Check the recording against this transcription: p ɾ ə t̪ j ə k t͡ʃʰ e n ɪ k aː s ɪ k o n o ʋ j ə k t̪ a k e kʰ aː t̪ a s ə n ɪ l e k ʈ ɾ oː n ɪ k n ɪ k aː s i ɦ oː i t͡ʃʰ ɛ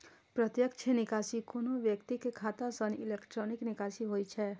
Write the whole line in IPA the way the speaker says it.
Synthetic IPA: p ɾ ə t̪ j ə k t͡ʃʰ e n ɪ k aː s i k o n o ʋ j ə k t̪ i k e kʰ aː t̪ a s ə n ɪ l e k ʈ ɾ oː n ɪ k n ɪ k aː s i ɦ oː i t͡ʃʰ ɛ